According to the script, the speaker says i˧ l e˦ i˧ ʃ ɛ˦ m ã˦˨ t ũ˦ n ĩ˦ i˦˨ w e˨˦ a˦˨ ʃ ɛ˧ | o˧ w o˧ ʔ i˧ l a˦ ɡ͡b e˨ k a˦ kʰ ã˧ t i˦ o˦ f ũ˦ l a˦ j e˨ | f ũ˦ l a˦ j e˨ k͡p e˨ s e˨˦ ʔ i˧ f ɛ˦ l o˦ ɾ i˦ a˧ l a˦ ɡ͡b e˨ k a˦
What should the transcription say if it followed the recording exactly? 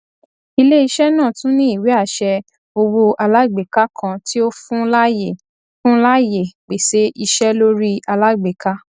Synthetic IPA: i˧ l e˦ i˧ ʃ ɛ˦ n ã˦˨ t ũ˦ n ĩ˦ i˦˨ w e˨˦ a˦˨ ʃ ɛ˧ | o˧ w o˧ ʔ a˧ l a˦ ɡ͡b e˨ k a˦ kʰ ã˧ t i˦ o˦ f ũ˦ l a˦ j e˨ | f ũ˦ l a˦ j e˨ k͡p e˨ s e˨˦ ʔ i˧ ʃ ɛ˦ l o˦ ɾ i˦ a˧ l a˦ ɡ͡b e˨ k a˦

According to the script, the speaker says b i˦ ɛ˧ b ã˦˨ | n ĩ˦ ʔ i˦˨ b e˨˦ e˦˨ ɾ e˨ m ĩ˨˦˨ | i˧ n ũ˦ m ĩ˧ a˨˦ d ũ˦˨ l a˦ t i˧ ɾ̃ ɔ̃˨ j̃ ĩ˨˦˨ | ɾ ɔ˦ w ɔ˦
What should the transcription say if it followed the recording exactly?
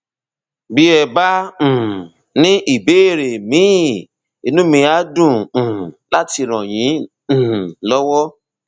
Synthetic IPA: b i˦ ɛ˧ b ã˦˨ | n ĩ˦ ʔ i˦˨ b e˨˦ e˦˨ ɾ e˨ m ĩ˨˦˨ | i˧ n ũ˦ m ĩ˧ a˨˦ d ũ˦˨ l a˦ t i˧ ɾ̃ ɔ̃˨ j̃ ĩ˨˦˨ | l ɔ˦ w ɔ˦

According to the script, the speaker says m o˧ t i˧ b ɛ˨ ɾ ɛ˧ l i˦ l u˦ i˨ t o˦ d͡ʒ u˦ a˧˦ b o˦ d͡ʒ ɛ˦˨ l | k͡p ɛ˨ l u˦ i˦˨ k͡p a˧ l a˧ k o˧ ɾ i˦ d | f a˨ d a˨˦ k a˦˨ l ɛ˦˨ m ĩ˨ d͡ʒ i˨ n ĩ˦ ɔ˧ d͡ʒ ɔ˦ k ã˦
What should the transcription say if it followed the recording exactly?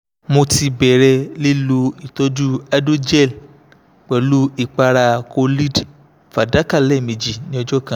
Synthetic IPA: m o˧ t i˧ b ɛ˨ ɾ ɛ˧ l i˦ l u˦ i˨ t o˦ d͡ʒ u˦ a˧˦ d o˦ d͡ʒ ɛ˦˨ l | k͡p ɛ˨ l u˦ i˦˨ k͡p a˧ ɾ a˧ k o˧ l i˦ d | f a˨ d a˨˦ k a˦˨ l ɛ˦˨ m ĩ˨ d͡ʒ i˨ n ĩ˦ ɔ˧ d͡ʒ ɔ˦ k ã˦

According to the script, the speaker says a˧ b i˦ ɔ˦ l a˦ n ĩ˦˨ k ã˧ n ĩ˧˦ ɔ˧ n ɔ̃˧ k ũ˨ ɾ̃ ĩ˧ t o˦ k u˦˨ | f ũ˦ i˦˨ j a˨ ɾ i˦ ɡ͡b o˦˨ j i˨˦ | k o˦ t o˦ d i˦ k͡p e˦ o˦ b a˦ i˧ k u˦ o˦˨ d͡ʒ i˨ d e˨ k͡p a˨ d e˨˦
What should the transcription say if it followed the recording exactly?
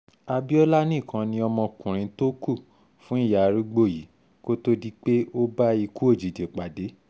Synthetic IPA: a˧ b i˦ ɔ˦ l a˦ n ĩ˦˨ k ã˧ n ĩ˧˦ ɔ˧ m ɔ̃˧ k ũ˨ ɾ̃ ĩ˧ t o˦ k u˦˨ | f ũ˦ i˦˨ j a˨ ɾ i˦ ɡ͡b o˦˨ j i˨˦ | k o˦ t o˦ d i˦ k͡p e˦ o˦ b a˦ i˧ k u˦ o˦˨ d͡ʒ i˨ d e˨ k͡p a˨ d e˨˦

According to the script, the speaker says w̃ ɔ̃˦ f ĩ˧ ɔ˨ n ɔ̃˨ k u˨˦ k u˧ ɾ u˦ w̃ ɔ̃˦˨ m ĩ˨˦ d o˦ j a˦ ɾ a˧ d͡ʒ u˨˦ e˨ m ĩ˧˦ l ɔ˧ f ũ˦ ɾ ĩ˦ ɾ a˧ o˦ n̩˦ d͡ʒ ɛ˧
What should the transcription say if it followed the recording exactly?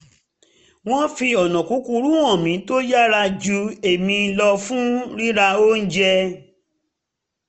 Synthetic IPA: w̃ ɔ̃˦ f i˧ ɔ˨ n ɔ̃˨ k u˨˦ k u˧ ɾ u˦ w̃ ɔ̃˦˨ m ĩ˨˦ t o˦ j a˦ ɾ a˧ d͡ʒ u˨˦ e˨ m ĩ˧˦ l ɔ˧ f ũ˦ ɾ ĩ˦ ɾ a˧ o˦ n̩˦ d͡ʒ ɛ˧

